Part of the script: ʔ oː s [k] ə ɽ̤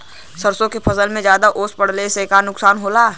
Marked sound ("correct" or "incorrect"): incorrect